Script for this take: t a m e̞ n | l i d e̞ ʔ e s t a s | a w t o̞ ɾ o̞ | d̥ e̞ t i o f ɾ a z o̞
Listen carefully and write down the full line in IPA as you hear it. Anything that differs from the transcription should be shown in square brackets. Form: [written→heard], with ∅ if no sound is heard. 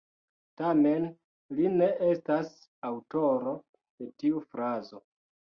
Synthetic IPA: t a m e̞ n | l i [d→n] e̞ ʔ e s t a s | a w t o̞ ɾ o̞ | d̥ e̞ t i [o→u] f ɾ a z o̞